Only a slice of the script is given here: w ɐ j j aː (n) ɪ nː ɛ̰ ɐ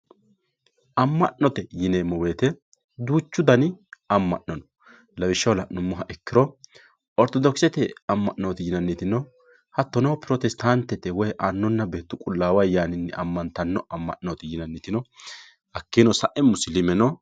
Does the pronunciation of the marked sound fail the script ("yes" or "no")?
no